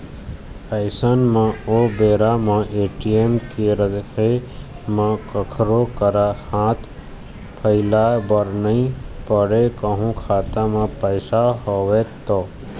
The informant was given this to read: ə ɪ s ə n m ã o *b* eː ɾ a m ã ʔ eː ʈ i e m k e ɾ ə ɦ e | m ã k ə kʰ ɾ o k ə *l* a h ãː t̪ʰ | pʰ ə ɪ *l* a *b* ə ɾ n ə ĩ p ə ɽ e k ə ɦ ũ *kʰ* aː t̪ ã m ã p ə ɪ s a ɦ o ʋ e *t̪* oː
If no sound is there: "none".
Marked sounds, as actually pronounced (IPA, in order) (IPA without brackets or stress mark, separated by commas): b, ɾ, l, b, kʰ, t̪